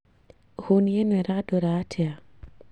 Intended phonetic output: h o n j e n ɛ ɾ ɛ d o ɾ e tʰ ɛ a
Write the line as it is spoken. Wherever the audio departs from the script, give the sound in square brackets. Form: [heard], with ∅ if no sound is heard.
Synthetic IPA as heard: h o n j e n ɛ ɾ [a] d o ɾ [a] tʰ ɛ a